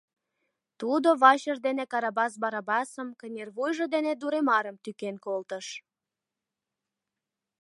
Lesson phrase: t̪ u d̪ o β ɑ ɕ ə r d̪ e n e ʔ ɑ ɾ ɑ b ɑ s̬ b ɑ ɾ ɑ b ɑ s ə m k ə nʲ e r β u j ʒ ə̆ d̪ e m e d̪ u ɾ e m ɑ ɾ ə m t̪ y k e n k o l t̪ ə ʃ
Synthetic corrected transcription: t̪ u d̪ o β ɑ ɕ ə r d̪ e n e k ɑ ɾ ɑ b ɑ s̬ b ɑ ɾ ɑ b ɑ s ə m k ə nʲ e r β u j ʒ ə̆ d̪ e n e d̪ u ɾ e m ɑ ɾ ə m t̪ y k e n k o l t̪ ə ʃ